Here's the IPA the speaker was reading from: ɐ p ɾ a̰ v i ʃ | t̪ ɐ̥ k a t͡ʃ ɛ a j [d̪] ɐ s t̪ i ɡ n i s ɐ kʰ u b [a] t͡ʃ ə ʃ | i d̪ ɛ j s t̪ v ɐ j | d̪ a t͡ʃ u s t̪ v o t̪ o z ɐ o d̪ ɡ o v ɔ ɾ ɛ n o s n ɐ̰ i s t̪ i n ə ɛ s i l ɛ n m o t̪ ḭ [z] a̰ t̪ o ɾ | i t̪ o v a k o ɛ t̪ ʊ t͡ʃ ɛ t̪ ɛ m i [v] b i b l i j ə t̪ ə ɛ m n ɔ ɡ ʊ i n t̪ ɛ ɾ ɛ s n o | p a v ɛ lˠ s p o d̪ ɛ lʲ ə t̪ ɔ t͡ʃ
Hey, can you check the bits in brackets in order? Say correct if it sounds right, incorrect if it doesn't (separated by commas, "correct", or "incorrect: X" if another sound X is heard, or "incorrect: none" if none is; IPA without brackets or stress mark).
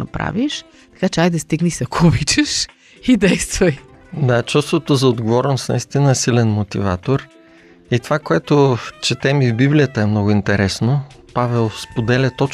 correct, incorrect: i, incorrect: v, correct